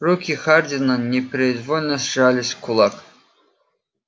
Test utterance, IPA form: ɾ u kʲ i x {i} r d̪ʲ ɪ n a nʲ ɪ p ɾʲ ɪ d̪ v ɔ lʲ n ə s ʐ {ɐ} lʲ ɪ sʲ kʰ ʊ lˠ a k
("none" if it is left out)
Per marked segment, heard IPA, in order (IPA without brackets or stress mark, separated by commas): a, a